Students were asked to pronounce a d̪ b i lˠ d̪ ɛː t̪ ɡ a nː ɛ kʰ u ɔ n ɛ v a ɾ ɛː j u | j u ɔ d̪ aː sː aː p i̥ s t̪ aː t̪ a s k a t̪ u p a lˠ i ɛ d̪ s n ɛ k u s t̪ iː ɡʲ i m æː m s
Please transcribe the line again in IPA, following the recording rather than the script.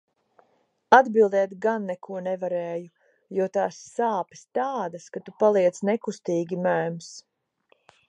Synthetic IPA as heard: a d̪ b i lˠ d̪ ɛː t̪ ɡ a nː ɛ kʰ u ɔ n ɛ v a ɾ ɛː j u | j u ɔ t̪ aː sː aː p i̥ s t̪ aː d̪ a s k a t̪ u p a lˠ i ɛ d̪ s n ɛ k u s t̪ iː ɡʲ i m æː m s